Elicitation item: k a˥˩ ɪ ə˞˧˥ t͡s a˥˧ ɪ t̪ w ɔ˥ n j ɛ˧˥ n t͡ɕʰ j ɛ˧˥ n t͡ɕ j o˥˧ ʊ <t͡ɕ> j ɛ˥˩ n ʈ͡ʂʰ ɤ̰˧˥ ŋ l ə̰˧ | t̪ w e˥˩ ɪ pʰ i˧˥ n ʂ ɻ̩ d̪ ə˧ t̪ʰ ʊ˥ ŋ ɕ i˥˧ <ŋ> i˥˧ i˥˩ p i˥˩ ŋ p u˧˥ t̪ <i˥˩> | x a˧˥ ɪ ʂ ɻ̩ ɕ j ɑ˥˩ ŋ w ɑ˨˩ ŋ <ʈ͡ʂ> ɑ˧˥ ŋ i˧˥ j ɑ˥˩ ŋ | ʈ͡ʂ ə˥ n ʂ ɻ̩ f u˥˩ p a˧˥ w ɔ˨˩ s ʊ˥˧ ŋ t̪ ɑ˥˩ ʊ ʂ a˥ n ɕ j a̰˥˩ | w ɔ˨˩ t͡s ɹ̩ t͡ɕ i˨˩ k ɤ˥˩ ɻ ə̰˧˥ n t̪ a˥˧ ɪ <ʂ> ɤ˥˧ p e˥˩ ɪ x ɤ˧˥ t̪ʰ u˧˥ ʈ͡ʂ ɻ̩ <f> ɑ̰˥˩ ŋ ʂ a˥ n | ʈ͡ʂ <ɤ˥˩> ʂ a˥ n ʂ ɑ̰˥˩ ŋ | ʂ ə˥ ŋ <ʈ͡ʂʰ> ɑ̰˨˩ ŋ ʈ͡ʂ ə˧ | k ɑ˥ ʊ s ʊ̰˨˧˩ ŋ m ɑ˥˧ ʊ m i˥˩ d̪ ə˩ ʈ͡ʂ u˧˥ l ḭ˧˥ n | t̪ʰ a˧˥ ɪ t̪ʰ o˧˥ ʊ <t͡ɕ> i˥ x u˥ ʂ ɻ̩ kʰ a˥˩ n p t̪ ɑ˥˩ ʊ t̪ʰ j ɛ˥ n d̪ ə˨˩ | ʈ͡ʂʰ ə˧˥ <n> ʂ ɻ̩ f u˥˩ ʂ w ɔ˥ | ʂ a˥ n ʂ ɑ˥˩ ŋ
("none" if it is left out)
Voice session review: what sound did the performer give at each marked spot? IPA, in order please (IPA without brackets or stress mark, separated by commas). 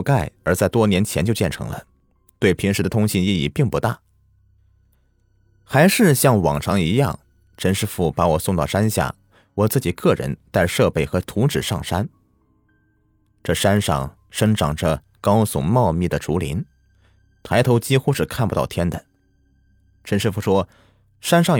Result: t͡ɕ, n, a˥˩, ʈ͡ʂʰ, ʂ, ʂ, ɤ˥˩, ʈ͡ʂ, t͡ɕ, n